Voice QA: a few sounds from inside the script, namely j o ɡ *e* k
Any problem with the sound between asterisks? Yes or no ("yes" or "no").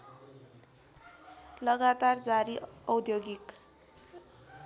yes